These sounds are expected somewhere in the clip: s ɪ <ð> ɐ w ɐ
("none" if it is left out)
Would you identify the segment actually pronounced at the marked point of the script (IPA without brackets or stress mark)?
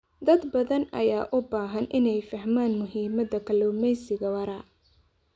ɣ